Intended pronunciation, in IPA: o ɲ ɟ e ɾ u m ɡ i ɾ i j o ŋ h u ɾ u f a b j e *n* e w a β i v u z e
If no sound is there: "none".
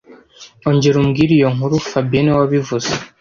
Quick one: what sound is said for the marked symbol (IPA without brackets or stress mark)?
n